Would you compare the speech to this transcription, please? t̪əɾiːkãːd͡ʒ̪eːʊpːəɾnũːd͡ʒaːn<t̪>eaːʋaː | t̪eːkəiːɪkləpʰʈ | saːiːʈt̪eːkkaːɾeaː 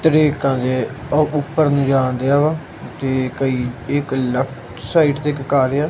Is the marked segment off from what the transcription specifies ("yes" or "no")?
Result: yes